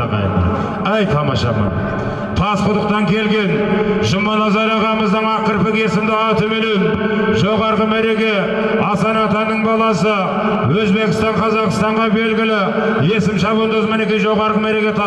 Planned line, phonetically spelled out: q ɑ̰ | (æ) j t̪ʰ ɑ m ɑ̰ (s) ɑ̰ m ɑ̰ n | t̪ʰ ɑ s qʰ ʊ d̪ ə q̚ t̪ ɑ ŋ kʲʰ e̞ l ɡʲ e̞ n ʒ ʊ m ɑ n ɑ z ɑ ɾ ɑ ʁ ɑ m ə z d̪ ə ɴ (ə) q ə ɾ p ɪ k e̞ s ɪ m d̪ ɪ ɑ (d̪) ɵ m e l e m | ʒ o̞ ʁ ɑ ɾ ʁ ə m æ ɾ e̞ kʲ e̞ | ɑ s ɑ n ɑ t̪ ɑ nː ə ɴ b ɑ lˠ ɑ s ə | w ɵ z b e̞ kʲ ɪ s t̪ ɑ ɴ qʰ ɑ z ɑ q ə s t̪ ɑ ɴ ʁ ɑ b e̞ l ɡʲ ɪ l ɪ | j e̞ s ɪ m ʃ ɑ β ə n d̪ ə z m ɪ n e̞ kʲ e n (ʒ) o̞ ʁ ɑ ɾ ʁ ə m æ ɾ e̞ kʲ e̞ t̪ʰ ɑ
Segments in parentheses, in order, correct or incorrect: correct, incorrect: ʃ, incorrect: ɑ, incorrect: t̪, correct

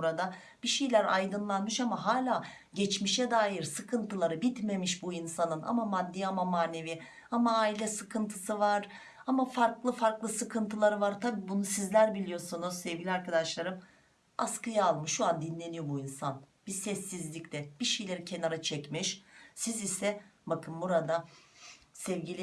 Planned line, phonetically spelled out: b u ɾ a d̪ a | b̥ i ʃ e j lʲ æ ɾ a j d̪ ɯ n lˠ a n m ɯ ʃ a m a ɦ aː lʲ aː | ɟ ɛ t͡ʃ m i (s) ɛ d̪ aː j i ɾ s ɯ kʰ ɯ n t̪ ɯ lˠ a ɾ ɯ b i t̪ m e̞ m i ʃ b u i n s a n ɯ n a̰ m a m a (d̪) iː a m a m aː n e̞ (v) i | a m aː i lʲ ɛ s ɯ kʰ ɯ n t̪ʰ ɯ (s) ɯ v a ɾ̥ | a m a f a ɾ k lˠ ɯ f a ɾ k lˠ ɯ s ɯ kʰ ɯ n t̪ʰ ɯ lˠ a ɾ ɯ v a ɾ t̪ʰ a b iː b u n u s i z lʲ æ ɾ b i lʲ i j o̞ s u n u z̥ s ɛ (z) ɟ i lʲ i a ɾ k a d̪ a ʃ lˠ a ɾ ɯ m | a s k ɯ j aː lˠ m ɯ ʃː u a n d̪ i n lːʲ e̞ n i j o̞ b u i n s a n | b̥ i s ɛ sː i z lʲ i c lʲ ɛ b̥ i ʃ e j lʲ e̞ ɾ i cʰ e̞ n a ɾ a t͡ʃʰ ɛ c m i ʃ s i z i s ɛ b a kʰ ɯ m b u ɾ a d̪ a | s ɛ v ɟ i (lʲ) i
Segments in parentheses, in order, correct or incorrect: incorrect: ʃ, incorrect: d̪ː, correct, correct, incorrect: v, correct

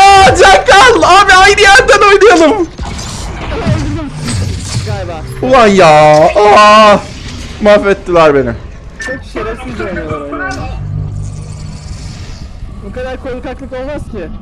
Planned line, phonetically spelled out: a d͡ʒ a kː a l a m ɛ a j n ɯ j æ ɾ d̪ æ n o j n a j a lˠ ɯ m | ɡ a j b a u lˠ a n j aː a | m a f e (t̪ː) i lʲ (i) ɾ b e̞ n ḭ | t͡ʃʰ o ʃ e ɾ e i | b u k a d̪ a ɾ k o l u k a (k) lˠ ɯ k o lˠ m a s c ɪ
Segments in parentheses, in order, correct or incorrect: correct, incorrect: æ, correct

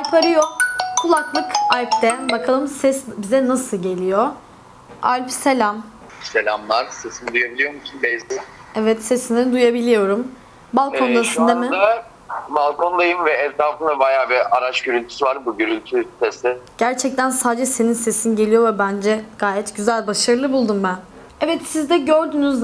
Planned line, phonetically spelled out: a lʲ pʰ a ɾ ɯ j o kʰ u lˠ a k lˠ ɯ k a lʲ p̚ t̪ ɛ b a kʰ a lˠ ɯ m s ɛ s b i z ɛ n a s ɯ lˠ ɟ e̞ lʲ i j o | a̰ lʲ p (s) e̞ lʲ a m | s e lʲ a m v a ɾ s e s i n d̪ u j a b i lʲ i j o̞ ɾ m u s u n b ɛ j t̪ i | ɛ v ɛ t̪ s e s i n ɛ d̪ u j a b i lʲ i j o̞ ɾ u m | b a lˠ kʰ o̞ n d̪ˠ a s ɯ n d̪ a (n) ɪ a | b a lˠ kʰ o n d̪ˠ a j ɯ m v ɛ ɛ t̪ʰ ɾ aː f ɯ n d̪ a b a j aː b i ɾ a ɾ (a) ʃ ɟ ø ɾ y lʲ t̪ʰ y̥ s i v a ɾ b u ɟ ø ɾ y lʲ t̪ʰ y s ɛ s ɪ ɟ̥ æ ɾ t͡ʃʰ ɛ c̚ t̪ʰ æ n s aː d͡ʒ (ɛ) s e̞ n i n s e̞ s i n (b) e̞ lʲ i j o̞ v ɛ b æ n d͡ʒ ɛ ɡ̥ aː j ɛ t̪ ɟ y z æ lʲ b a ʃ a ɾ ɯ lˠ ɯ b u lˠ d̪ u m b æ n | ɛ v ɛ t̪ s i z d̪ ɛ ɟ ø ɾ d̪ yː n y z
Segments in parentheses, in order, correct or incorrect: correct, incorrect: m, correct, correct, incorrect: ɟ

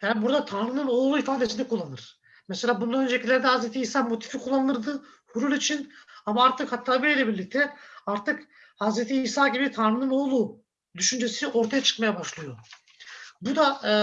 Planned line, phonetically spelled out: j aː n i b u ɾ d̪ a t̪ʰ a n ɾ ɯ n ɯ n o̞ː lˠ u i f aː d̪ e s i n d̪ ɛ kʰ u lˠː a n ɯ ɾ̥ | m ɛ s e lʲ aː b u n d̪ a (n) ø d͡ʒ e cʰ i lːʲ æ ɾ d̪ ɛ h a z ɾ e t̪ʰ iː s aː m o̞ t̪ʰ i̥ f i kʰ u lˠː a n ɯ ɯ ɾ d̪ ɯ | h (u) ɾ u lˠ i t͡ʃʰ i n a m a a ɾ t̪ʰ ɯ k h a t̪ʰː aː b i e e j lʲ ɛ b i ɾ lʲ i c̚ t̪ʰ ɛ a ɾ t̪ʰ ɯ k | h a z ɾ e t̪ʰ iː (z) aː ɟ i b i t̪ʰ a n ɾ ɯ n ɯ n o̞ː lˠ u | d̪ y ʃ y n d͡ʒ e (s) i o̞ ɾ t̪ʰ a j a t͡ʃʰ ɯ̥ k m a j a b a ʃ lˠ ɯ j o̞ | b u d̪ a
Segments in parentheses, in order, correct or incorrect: correct, correct, incorrect: s, correct

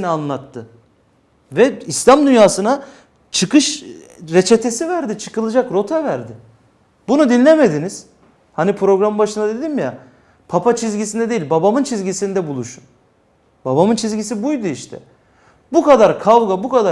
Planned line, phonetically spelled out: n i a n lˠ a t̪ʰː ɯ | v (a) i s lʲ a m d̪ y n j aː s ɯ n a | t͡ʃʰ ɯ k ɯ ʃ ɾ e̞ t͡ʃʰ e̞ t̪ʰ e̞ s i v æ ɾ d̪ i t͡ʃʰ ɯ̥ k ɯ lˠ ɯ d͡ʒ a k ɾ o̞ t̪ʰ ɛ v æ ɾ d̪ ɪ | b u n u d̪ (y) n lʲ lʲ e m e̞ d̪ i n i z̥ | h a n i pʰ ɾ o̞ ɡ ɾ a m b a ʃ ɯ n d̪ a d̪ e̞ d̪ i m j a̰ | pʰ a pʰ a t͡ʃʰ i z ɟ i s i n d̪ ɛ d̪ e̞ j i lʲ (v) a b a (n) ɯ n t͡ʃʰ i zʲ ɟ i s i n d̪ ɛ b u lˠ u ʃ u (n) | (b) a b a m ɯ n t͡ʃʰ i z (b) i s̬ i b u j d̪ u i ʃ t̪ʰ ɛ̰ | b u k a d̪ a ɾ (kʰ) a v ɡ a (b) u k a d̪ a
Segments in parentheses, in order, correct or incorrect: incorrect: ɛ, incorrect: i, incorrect: b, incorrect: m, correct, correct, incorrect: ɟ, correct, correct

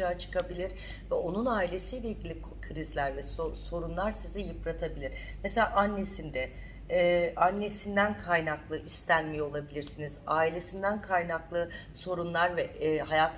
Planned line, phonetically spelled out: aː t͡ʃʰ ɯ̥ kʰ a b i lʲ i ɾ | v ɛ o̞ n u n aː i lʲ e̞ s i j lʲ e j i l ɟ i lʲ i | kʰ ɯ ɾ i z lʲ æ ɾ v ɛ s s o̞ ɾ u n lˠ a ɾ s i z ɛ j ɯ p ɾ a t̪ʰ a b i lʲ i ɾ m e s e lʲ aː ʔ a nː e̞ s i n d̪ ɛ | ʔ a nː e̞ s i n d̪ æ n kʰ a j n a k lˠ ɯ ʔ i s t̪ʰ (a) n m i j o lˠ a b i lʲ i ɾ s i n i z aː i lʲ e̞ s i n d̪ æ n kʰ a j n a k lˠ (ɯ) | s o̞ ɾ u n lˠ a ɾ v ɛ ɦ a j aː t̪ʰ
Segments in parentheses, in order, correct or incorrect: incorrect: æ, correct

